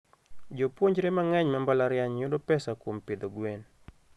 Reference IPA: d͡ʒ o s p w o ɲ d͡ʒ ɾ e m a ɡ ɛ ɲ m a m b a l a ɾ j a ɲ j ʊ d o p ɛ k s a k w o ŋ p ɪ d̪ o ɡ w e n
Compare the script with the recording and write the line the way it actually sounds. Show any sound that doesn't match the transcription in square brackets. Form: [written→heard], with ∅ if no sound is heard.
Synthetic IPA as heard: d͡ʒ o [s→∅] p w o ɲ d͡ʒ ɾ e m a [ɡ→ŋ] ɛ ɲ m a m b a l a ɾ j a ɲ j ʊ d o p ɛ [k→∅] s a k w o [ŋ→m] p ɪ d̪ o ɡ w e n

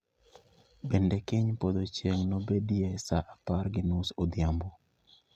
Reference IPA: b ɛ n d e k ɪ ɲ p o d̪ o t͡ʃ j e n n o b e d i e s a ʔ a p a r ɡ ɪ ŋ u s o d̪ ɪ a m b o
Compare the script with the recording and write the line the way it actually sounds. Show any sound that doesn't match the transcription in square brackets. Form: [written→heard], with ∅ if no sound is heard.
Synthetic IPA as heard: b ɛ n d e k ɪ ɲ p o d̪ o t͡ʃ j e [n→ŋ] n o b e d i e s a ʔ a p a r ɡ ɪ [ŋ→n] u s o d̪ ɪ a m b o

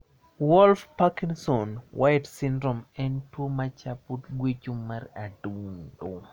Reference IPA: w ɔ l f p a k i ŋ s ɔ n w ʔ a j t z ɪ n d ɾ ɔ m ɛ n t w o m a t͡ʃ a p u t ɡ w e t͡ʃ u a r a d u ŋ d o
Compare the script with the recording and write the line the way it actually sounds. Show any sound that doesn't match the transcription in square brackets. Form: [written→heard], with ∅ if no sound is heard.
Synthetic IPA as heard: w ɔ l f p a k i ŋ s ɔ n w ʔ a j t [z→s] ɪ n d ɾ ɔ m ɛ n t w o m a t͡ʃ a p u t ɡ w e t͡ʃ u a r a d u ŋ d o

